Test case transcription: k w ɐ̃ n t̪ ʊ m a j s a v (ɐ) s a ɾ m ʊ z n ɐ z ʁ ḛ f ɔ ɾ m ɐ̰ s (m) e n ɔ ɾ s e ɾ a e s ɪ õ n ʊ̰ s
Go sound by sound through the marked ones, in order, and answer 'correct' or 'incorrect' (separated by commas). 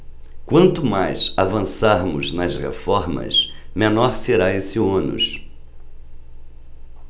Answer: incorrect, correct